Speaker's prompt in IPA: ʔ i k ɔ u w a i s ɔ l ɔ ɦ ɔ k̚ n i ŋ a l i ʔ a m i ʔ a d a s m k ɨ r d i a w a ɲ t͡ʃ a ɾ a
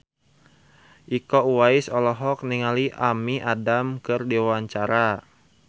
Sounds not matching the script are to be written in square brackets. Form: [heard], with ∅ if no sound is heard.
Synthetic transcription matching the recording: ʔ i k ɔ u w a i s ɔ l ɔ ɦ ɔ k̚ n i ŋ a l i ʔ a m i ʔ a d a [∅] m k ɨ r d i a w a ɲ t͡ʃ a ɾ a